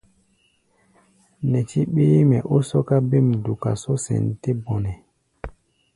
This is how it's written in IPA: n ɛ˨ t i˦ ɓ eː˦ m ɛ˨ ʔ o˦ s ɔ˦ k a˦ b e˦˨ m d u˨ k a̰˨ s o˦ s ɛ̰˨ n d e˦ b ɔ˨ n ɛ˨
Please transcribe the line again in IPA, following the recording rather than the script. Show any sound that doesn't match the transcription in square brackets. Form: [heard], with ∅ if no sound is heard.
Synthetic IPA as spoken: n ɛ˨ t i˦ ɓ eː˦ m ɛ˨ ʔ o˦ s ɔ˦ k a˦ b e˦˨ m d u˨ k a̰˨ s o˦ s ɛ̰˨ n [t] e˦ b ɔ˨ n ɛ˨